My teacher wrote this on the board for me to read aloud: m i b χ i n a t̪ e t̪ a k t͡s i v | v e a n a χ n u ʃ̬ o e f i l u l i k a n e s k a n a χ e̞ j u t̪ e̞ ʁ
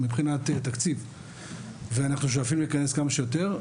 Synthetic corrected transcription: m i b χ i n a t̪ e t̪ a k t͡s i v | v e a n a χ n u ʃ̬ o a f i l u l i k a n e s k a m a ʃ e̞ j o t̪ e̞ ʁ